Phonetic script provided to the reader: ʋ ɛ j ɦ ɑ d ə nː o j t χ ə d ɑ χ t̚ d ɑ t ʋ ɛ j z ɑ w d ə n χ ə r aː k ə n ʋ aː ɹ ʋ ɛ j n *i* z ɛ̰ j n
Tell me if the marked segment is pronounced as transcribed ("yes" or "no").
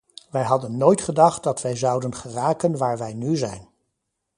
no